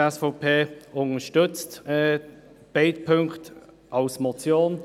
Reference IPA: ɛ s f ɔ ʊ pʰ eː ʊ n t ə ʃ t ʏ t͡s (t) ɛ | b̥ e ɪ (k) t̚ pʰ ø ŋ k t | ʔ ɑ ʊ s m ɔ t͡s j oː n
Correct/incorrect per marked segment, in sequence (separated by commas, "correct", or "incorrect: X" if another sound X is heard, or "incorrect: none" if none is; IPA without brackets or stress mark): correct, incorrect: none